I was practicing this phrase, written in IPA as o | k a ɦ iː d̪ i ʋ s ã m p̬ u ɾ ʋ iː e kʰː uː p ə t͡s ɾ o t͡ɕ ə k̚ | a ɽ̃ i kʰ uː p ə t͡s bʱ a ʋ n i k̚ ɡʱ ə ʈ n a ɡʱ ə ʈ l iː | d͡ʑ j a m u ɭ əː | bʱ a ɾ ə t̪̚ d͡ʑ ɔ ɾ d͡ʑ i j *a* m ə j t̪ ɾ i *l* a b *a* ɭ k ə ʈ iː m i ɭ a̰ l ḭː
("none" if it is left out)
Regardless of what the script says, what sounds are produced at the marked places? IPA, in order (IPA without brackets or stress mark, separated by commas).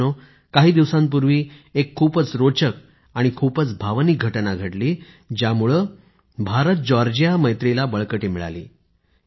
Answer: a, l, ə